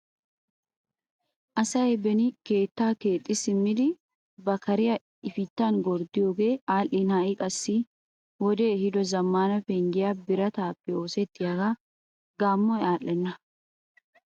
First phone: ʔ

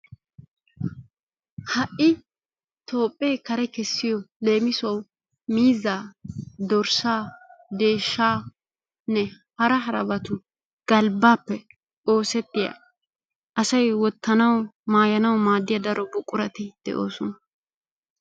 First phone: h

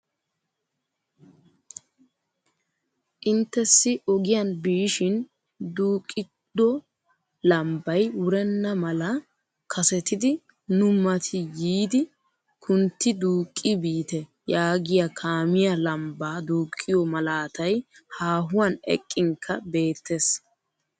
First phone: ʔ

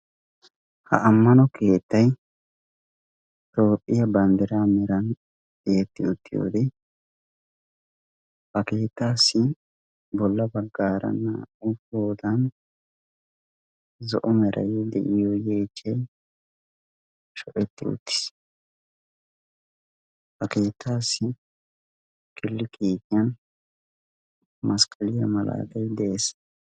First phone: h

